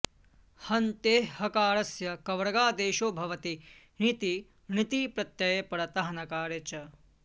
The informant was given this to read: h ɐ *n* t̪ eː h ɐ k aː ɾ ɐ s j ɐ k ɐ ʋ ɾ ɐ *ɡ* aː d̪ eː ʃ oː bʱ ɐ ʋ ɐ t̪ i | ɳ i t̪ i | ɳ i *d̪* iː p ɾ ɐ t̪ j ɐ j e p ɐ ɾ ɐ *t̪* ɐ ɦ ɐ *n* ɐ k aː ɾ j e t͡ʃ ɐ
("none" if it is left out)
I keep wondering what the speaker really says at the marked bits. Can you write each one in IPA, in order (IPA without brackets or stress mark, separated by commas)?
n, ɡ, t̪, t̪, n